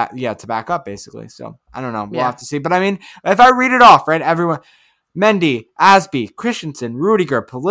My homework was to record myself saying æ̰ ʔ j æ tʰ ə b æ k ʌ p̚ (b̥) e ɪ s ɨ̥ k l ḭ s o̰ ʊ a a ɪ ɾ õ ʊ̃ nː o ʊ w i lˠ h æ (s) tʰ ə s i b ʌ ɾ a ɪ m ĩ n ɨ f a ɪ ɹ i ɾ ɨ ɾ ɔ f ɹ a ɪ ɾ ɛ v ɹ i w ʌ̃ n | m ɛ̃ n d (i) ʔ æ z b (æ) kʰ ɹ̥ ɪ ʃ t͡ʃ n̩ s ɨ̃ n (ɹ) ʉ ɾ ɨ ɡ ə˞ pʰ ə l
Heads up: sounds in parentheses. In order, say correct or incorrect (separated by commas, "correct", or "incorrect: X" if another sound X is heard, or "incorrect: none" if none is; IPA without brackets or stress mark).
correct, incorrect: f, correct, incorrect: i, correct